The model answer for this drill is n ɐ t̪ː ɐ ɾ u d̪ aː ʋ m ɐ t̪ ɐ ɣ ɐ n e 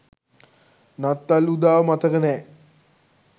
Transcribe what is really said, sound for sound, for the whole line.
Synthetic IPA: n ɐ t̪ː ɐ l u d̪ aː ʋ m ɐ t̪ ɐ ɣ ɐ n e